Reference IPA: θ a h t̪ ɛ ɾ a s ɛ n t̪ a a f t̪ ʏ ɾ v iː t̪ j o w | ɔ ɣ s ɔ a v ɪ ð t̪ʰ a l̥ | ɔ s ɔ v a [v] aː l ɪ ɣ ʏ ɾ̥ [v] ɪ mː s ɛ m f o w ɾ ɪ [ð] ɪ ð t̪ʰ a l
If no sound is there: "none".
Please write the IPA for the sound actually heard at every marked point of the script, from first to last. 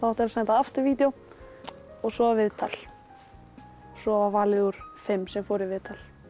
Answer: v, f, v

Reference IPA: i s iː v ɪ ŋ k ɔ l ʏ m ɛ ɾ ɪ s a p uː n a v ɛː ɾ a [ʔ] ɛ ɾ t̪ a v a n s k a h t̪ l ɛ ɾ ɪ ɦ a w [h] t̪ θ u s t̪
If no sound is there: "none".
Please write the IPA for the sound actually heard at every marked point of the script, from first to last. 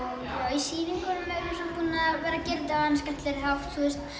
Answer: c, f

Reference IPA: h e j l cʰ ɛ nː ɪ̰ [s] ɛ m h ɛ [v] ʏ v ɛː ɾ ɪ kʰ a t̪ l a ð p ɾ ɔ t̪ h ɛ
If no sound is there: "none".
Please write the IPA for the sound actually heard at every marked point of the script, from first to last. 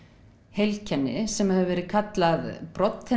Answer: s, ð

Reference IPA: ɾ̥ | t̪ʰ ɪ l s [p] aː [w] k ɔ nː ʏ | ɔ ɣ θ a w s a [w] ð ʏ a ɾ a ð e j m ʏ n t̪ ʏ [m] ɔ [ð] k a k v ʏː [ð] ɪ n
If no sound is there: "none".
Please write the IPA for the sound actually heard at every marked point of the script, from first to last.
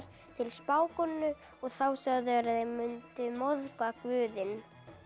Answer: p, w, ɣ, m, ð, ð

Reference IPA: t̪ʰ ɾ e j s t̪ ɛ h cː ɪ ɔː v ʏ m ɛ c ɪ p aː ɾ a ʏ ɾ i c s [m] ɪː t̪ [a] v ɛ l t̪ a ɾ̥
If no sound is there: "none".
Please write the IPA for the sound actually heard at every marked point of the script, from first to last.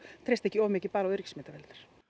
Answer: m, a

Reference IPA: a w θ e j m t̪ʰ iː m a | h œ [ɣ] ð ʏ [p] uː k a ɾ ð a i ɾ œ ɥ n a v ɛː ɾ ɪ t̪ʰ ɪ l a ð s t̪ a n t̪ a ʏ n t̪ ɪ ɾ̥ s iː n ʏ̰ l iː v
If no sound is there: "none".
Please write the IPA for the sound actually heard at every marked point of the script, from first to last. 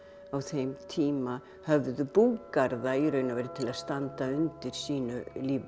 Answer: v, p

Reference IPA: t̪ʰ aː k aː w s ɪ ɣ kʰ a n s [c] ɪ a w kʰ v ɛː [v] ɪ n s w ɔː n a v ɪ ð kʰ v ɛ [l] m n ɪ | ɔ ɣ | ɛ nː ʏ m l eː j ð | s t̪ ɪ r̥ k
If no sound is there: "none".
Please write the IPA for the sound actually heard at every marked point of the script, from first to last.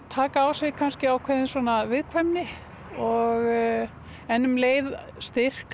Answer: c, ð, none

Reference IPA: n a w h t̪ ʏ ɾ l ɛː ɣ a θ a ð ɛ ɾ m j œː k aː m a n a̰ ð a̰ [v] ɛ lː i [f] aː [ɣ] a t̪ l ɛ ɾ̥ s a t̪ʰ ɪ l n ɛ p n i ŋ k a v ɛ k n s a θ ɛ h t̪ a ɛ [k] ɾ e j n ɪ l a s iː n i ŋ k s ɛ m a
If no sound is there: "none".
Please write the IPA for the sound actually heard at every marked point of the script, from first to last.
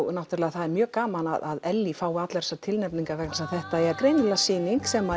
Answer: ð, f, w, k

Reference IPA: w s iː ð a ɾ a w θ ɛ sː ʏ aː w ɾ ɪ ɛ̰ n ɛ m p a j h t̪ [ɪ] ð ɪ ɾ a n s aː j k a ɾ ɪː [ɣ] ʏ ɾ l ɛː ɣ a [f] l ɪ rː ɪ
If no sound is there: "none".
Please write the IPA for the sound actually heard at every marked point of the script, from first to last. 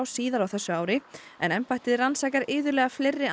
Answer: ɪ, ð, f

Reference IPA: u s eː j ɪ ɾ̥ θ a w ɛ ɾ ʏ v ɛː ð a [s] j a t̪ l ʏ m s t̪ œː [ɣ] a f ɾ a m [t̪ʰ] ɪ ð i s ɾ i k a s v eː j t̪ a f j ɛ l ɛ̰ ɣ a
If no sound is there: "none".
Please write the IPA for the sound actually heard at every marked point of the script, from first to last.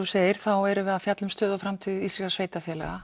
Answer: f, ð, t̪ʰ

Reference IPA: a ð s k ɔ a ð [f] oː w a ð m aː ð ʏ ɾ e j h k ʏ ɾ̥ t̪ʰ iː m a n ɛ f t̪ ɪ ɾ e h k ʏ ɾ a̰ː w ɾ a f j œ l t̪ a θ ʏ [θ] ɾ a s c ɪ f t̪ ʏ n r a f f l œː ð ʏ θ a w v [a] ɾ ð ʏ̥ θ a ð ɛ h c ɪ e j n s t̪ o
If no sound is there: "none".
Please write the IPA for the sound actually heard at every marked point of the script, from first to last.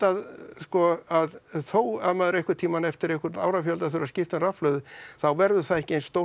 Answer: θ, none, ɛ

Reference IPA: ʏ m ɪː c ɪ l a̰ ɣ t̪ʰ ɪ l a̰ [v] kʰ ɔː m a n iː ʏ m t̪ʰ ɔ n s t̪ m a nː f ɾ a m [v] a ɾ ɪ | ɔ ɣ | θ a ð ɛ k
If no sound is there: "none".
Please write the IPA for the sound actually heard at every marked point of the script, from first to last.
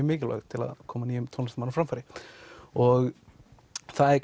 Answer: ð, f

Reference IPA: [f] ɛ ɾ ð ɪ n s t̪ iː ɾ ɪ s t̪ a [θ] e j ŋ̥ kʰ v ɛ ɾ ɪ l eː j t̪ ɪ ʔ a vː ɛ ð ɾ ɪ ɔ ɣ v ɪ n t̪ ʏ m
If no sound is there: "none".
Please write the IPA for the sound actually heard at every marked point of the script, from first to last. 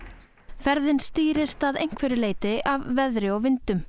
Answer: f, ð

